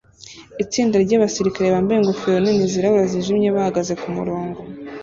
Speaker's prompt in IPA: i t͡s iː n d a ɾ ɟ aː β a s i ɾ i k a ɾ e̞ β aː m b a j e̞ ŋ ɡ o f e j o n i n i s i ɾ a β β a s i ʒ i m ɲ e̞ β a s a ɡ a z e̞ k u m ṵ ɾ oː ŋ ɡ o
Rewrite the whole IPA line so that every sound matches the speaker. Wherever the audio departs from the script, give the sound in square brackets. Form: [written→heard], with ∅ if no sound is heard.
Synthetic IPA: i t͡s iː n d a ɾ ɟ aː β a s i ɾ i k a ɾ e̞ β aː m b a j e̞ ŋ ɡ o f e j o n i n i [s→z] i ɾ a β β a [s→z] i ʒ i m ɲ e̞ β a [s→h] a ɡ a z e̞ k u m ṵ ɾ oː ŋ ɡ o